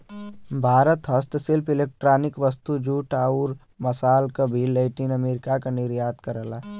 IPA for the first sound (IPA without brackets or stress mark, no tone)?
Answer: bʱ